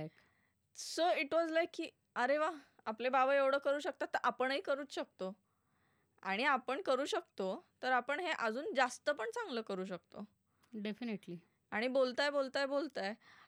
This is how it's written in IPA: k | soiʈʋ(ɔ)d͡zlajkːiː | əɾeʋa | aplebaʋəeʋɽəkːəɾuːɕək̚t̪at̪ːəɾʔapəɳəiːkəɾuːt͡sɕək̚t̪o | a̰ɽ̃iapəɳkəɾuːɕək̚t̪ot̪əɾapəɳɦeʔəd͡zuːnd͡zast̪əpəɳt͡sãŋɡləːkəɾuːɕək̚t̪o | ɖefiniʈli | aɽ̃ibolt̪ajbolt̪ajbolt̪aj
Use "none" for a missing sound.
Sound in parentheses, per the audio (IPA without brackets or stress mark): ɔ